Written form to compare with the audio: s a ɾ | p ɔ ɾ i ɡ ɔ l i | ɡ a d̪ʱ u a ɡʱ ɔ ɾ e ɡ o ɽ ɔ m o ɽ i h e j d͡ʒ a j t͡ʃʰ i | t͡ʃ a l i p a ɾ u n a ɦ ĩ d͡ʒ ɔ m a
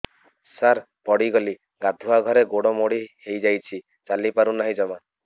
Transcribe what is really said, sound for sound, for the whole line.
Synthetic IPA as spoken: s a ɾ | p ɔ ɽ i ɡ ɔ l i | ɡ a d̪ʱ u a ɡʱ ɔ ɾ e ɡ o ɽ ɔ m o ɽ i h e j d͡ʒ a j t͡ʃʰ i | t͡ʃ a l i p a ɾ u n a ɦ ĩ d͡ʒ ɔ m a